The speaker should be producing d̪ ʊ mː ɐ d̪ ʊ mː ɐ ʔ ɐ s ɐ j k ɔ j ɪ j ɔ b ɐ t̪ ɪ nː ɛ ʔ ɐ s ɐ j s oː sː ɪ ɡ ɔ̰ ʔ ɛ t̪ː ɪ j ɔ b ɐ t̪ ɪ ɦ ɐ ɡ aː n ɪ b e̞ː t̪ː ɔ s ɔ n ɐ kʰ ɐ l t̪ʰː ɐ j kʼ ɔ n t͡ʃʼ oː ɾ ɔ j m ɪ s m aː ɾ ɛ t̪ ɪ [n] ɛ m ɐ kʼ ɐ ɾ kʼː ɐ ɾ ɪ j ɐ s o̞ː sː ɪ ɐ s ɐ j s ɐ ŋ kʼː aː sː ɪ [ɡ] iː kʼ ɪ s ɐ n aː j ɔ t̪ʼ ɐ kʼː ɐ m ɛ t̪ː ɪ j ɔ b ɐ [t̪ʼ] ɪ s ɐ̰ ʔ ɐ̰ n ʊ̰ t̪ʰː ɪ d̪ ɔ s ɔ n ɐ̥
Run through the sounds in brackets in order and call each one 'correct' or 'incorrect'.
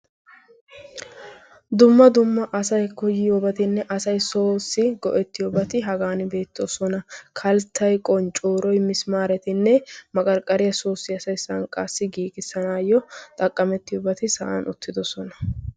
incorrect, correct, incorrect

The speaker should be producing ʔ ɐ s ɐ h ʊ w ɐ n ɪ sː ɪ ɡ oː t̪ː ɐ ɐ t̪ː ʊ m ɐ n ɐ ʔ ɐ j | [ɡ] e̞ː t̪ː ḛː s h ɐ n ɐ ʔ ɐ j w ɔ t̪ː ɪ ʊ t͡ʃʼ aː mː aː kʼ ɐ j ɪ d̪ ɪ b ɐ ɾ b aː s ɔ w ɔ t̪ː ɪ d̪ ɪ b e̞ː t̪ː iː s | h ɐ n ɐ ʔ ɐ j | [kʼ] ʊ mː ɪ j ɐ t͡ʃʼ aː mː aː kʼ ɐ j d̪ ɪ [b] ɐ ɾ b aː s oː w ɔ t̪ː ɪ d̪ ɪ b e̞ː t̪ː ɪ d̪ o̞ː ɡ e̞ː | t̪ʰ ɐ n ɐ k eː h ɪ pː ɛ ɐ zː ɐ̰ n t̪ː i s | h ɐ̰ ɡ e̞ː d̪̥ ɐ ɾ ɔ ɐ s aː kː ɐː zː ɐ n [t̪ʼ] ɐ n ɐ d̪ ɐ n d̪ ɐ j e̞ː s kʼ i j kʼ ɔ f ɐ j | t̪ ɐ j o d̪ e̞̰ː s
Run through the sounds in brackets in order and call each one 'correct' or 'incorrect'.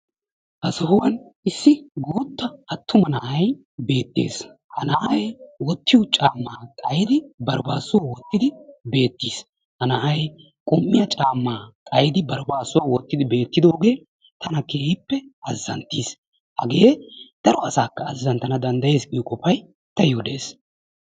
incorrect, correct, correct, incorrect

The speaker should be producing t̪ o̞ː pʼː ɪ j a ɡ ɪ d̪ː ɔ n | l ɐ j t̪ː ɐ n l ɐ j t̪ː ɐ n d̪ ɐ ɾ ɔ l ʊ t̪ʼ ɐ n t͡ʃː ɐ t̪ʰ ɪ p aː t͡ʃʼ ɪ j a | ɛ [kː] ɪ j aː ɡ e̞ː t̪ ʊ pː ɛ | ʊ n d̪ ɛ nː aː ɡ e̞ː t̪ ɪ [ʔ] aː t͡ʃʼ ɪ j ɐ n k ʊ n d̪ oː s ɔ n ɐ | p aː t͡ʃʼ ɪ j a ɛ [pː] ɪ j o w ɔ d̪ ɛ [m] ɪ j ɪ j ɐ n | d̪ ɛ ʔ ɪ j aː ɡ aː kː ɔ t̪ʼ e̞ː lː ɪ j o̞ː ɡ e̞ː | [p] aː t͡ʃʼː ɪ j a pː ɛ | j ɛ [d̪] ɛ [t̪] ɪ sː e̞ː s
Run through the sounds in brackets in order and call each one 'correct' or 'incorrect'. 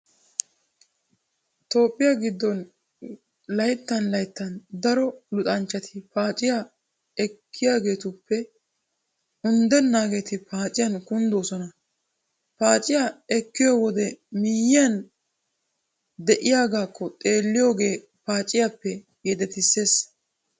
correct, incorrect, incorrect, correct, correct, correct, correct

